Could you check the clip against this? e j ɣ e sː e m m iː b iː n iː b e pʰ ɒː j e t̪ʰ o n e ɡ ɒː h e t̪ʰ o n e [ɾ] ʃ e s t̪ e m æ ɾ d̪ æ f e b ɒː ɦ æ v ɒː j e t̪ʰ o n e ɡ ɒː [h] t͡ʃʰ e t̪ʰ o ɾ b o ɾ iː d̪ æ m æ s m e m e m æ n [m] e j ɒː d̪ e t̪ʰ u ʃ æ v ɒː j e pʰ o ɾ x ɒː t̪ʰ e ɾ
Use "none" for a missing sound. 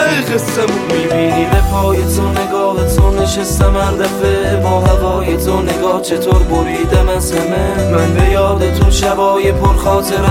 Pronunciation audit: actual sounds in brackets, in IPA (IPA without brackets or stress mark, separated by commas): none, h, b